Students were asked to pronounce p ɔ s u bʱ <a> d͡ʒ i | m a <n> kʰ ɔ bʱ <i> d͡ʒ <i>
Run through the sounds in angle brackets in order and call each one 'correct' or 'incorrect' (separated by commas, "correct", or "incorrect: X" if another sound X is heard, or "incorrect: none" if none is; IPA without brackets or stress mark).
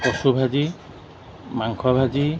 correct, incorrect: ŋ, incorrect: a, correct